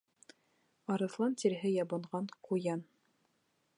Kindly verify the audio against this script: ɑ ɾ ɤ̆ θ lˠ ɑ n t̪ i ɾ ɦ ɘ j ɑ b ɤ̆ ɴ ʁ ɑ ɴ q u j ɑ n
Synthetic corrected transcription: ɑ ɾ ɤ̆ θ lˠ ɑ n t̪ i ɾ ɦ ɘ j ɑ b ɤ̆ ɴ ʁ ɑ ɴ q u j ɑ n